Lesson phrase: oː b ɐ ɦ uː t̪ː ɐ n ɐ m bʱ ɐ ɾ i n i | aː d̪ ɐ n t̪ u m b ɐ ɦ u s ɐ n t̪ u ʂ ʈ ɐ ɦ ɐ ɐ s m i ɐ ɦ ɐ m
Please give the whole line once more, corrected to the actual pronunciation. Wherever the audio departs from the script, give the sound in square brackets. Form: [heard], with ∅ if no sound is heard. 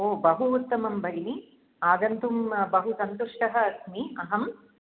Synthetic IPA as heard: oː b ɐ ɦ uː t̪ː ɐ [m] ɐ m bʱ ɐ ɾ i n i | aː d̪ ɐ n t̪ u m b ɐ ɦ u s ɐ n t̪ u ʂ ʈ ɐ ɦ ɐ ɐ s m i ɐ ɦ ɐ m